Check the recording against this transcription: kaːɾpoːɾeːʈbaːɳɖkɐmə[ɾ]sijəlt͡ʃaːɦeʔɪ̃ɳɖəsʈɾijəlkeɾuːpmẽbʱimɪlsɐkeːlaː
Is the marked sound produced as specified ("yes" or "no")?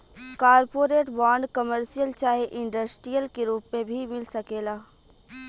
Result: yes